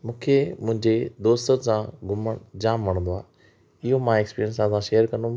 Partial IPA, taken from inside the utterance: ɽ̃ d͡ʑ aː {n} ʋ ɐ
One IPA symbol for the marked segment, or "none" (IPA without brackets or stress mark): m